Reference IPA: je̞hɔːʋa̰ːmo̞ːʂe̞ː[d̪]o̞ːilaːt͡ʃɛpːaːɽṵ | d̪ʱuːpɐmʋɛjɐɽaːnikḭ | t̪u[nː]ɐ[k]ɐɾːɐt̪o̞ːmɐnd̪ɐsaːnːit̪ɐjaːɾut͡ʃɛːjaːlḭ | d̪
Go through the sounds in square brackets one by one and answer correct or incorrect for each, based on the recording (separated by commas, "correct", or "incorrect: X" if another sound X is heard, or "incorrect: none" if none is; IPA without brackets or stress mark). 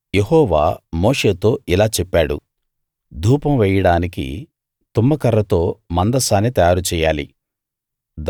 incorrect: t̪, incorrect: mː, correct